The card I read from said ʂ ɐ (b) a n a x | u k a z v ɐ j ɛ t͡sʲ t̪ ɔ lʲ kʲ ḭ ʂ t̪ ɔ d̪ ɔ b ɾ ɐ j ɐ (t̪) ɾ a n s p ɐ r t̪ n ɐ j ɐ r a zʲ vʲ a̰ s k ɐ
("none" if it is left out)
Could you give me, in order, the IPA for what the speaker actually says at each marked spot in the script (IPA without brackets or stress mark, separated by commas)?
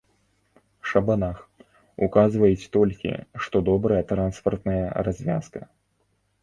b, t̪